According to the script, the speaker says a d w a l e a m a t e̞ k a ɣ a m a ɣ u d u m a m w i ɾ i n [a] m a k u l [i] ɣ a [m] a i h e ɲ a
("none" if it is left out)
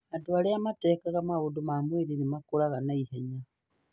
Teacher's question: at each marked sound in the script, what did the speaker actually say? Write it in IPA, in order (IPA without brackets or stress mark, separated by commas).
i, a, n